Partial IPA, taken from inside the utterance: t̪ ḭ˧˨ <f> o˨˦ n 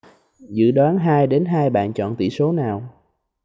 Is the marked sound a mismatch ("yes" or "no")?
yes